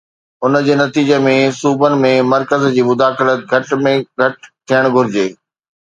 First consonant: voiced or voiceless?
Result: voiced